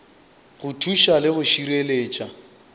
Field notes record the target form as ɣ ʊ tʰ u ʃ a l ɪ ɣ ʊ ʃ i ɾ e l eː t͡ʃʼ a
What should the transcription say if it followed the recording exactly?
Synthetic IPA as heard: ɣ ʊ tʰ u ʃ a l ɪ ɣ ʊ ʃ i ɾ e l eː t͡ʃʼ a

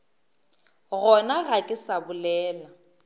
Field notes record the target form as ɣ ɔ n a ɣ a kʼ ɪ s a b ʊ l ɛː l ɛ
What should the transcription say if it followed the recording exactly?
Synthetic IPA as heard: ɣ ɔ n a ɣ a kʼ ɪ s a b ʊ l ɛː l a

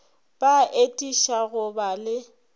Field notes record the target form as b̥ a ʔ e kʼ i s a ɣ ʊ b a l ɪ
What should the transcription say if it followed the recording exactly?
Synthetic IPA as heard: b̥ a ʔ e tʼ i ʃ a ɣ ʊ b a l ɪ

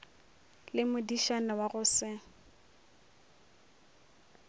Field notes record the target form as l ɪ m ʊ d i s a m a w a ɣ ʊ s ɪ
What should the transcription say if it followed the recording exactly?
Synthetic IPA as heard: l ɪ m ʊ d i ʃ a n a w a ɣ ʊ s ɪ

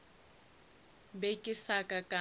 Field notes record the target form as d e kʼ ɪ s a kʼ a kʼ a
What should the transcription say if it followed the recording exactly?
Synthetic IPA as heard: b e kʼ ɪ s a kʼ a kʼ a

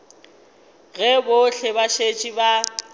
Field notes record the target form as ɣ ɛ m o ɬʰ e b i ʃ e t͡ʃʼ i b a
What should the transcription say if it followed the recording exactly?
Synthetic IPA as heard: ɣ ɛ b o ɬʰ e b a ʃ e t͡ʃʼ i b a

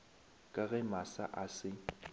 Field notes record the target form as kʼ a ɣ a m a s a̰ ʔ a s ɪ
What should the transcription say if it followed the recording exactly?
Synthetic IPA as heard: kʼ a ɣ ɛ m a s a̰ ʔ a s ɪ

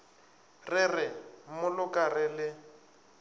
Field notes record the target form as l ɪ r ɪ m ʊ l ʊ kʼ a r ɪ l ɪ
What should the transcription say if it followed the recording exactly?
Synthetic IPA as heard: r ɪ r ɪ m ʊ l ʊ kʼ a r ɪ l ɪ

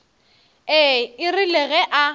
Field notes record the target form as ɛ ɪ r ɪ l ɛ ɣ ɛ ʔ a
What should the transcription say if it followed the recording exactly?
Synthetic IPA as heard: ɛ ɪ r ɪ l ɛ ɣ ɛ ʔ a

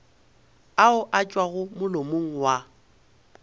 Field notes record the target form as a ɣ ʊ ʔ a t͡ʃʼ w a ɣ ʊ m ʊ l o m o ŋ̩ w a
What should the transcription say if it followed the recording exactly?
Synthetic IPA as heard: a ʊ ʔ a t͡ʃʼ w a ɣ ʊ m ʊ l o m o ŋ̩ w a

